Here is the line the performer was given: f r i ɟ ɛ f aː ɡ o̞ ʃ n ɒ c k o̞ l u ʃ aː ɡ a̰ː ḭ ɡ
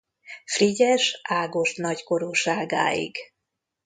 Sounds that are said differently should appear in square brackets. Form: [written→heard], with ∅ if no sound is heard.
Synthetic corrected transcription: f r i ɟ ɛ [f→ʃ] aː ɡ o̞ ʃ n ɒ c k o̞ [l→ɾ] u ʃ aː ɡ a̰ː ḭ ɡ